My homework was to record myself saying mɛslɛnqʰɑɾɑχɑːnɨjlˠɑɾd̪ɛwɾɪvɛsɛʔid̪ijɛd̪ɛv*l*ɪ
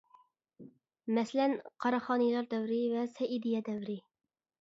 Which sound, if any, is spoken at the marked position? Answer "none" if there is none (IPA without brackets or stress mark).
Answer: ɾ